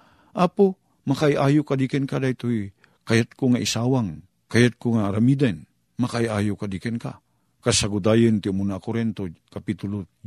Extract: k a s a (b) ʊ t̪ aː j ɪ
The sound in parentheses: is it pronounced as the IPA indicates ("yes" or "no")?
no